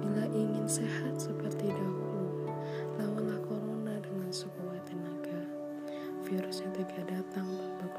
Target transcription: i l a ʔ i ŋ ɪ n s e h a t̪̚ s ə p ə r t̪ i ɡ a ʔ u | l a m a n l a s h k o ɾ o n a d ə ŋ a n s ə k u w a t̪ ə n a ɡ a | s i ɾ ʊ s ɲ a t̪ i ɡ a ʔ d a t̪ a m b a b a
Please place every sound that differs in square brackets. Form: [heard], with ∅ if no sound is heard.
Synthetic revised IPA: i l a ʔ i ŋ ɪ n s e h a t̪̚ s ə p ə r t̪ i [d] a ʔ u | l a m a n l a [∅] h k o ɾ o n a d ə ŋ a n s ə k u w a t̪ ə n a ɡ a | [f] i ɾ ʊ s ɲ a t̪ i ɡ a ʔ d a t̪ a [ŋ] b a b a